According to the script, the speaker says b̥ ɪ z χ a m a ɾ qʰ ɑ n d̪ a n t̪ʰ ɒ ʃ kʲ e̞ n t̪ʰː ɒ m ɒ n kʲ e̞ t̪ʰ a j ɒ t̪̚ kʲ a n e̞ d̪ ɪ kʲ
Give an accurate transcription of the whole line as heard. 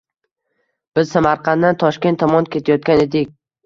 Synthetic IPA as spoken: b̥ ɪ z s a m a ɾ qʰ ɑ n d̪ a n t̪ʰ ɒ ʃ kʲ e̞ n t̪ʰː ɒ m ɒ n kʲ e̞ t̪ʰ a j ɒ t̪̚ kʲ a n e̞ d̪ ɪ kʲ

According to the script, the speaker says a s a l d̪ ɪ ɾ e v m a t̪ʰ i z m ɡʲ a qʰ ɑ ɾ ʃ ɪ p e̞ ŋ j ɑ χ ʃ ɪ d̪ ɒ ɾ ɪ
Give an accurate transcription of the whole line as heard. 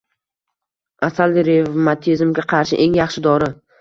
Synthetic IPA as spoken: a s a l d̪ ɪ ɾ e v m a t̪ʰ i z m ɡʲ a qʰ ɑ ɾ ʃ ɪ ʔ e̞ ŋ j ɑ χ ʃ ɪ d̪ ɒ ɾ ɪ

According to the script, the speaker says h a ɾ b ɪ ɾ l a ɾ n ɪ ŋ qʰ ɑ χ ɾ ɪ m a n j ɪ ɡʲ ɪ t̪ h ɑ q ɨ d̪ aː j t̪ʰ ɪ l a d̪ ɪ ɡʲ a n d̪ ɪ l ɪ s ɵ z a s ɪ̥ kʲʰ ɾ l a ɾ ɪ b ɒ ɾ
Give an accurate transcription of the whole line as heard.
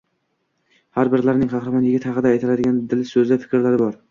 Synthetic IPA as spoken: h a ɾ b ɪ ɾ l a ɾ n ɪ ŋ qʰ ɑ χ ɾ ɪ m a n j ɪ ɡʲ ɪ t̪ h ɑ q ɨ d̪ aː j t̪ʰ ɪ l a d̪ ɪ ɡʲ a n d̪ ɪ l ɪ s ɵ z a f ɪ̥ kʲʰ ɾ l a ɾ ɪ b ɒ ɾ

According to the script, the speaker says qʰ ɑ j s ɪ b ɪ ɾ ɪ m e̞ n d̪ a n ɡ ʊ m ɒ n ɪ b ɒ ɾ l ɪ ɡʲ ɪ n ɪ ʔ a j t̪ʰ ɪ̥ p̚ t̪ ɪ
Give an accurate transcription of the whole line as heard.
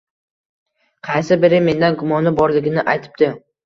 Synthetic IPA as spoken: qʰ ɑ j s ɪ b ɪ ɾ ɪ m e̞ n d̪ a n ɡ ʊ m ɒ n ɪ b ɒ ɾ l ɪ ɡʲ ɪ n ɪ ʔ a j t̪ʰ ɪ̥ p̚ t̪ ɪ

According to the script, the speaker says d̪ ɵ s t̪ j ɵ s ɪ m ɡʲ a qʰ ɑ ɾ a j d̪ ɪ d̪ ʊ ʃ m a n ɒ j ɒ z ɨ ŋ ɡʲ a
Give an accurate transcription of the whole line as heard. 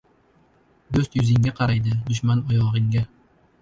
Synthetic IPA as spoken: d̪ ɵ s t̪ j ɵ z ɪ ŋ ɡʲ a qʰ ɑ ɾ a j d̪ ɪ d̪ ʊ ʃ m a n ɒ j ɒ ʁ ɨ ŋ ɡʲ a

